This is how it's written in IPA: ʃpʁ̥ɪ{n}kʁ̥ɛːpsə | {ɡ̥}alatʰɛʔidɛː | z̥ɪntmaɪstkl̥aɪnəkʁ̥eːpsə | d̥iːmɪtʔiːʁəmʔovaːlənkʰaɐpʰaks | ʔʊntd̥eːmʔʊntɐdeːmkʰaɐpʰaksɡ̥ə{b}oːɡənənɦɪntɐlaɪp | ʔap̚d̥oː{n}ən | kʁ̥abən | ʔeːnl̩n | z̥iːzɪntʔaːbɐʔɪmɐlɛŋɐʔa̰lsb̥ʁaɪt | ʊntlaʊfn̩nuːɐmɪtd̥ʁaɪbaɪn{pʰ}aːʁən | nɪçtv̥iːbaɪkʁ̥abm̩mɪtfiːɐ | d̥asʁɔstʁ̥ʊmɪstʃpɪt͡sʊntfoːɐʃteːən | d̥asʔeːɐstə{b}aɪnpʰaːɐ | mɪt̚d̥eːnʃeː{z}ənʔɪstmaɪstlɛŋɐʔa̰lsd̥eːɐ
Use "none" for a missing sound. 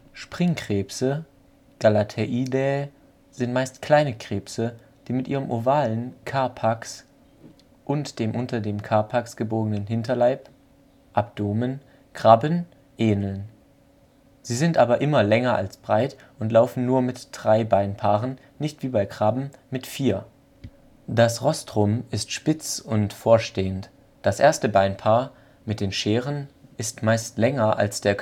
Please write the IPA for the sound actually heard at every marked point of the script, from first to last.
ŋ, ɡ̥, b, m, pʰ, b, ʁ

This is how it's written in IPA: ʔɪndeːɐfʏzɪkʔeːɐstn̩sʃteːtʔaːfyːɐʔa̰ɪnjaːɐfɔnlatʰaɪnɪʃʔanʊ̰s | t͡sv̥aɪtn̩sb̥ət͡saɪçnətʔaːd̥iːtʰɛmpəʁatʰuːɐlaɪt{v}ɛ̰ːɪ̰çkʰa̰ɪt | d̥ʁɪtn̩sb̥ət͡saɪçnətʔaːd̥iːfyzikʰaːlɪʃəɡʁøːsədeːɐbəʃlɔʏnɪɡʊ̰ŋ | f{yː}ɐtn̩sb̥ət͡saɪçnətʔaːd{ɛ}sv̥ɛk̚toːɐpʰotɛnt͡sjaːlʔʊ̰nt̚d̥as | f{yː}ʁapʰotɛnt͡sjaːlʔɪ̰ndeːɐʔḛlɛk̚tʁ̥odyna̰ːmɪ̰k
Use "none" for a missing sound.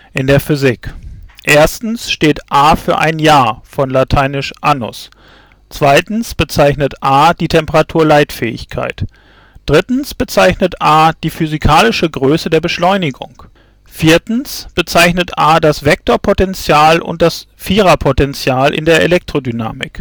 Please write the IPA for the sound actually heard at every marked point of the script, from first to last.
f, iː, a, iː

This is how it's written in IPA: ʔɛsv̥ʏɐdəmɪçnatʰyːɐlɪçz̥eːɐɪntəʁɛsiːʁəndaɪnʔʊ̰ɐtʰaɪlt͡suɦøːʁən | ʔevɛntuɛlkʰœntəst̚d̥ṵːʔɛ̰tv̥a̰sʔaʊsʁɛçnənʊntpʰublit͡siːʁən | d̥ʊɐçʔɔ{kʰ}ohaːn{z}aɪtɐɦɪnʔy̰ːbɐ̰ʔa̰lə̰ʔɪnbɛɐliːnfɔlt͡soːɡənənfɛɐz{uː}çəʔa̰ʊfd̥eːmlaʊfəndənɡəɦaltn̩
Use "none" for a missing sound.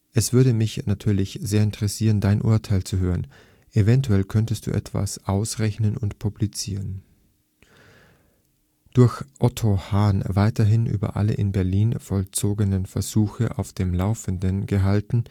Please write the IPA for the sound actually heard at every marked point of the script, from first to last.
tʰ, v, uː

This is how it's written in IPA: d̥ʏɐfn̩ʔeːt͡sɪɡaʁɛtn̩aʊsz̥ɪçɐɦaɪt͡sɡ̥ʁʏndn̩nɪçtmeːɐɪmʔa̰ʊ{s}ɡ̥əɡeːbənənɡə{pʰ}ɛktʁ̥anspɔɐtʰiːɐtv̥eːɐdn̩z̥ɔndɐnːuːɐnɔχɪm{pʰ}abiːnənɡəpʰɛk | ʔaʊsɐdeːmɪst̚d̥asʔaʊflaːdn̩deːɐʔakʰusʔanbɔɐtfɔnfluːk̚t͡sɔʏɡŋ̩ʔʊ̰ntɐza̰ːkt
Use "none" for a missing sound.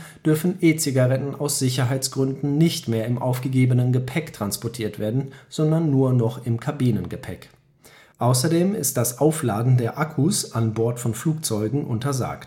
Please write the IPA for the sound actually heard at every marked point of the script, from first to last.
f, pʰ, kʰ

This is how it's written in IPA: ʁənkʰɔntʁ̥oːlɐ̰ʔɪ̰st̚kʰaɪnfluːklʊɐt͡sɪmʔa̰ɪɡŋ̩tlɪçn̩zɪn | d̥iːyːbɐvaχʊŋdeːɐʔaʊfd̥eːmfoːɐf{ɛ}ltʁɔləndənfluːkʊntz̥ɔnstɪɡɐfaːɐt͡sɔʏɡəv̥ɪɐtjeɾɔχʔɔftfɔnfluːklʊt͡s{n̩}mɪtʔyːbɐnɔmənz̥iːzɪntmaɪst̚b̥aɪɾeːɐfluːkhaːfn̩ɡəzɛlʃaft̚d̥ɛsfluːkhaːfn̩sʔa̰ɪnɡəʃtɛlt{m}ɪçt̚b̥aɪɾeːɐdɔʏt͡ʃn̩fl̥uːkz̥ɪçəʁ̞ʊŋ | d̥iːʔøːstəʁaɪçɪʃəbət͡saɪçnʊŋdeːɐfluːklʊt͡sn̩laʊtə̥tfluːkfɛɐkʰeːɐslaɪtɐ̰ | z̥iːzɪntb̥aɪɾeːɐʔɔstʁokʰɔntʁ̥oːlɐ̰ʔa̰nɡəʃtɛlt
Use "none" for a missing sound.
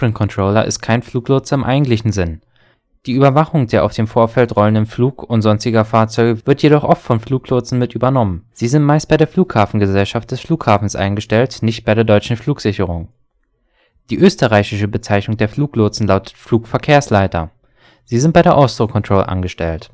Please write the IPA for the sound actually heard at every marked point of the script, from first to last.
ɛ, n̩, n

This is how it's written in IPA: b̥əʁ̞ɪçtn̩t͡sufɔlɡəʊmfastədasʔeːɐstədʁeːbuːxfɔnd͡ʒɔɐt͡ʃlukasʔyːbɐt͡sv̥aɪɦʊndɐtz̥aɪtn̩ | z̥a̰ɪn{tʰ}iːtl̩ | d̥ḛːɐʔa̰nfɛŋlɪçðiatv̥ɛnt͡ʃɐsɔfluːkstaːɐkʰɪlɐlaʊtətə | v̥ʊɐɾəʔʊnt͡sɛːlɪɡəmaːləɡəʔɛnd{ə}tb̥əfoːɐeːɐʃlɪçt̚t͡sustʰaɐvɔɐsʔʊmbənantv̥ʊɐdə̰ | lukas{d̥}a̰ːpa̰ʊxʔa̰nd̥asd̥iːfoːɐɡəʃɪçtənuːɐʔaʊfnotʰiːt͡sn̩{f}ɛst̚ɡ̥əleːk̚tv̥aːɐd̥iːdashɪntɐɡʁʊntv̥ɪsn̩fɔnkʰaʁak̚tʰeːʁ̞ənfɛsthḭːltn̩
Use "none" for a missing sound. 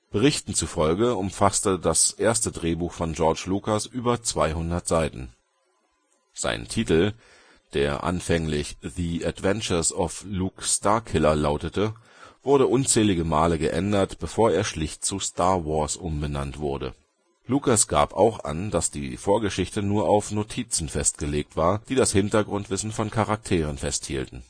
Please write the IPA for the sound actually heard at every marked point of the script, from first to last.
tʰ, ɐ, ɡ̥, f

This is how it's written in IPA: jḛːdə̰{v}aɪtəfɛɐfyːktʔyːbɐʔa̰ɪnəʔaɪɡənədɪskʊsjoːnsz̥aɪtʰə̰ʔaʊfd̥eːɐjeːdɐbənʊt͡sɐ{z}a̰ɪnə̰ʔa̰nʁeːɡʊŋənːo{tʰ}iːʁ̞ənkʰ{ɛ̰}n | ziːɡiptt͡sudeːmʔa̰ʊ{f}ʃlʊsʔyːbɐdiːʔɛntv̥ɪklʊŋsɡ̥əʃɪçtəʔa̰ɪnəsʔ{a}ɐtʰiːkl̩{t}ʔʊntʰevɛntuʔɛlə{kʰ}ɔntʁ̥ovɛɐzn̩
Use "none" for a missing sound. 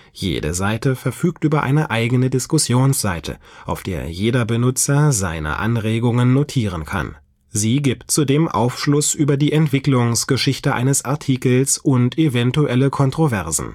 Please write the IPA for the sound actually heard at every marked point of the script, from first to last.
z, z, tʰ, a̰, f, a, s, kʰ

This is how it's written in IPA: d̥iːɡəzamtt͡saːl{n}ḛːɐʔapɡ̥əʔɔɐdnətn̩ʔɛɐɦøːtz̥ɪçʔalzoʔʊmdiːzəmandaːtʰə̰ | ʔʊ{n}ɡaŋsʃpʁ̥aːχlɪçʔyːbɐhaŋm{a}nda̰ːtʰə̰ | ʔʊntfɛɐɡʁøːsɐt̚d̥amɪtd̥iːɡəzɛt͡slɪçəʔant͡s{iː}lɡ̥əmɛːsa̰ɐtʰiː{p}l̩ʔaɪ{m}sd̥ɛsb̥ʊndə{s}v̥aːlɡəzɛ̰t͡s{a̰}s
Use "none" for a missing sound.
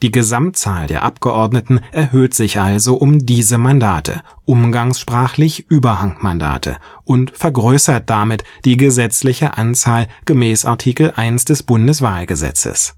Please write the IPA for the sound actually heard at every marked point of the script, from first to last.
d, m, a, aː, k, n, s, ə̰

